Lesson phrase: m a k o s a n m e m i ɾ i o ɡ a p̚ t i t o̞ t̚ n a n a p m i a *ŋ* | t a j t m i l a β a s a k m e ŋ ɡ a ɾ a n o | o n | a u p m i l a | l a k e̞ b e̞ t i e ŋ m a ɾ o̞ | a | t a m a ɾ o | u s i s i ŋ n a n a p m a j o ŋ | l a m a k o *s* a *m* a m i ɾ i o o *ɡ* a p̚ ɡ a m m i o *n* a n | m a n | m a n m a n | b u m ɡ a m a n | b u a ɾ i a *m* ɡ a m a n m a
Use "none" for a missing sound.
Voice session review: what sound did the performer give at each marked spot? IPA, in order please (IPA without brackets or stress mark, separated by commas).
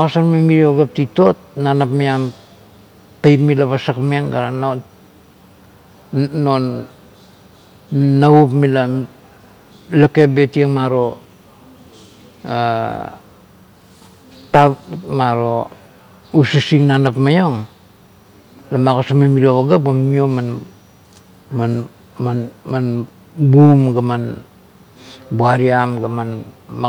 m, s, m, ɡ, m, m